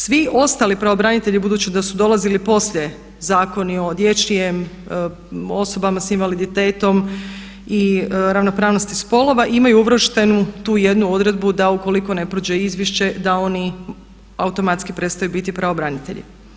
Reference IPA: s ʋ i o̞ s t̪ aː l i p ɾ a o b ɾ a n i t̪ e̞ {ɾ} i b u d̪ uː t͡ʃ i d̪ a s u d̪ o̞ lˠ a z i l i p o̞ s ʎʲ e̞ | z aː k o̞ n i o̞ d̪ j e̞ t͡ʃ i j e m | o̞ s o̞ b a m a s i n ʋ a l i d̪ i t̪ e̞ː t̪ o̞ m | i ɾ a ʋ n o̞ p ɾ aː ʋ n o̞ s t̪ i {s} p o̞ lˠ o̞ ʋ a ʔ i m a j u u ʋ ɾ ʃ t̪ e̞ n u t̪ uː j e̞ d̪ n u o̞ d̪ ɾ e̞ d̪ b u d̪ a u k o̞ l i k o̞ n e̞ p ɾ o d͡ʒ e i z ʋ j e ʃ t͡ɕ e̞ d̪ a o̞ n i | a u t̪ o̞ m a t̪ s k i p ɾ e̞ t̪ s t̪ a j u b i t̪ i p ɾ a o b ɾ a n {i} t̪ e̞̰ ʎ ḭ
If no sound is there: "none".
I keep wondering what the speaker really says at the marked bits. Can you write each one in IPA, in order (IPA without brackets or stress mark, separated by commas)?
ʎ, s, i